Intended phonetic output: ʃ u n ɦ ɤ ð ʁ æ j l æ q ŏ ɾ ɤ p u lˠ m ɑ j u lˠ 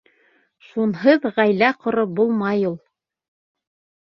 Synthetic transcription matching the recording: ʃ u n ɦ ɤ ð ʁ æ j l æ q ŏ ɾ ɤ b u lˠ m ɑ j u lˠ